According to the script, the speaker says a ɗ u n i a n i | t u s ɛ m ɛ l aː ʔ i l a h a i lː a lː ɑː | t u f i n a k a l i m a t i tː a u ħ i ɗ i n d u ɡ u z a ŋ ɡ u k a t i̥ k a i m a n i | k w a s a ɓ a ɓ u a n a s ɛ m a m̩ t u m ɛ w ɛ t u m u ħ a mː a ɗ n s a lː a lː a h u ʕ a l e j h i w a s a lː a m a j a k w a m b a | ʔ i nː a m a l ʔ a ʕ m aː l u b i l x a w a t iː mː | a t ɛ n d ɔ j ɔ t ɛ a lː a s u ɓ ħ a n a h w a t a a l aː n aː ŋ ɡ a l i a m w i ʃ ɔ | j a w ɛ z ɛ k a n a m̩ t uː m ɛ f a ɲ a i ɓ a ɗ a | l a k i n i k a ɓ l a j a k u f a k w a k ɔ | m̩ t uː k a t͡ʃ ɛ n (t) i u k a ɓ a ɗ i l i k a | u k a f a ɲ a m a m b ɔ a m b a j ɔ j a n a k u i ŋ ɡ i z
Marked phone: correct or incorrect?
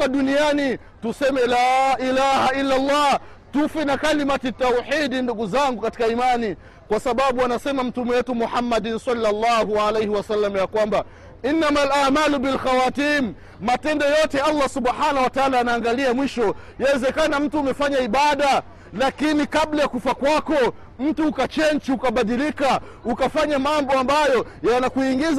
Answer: incorrect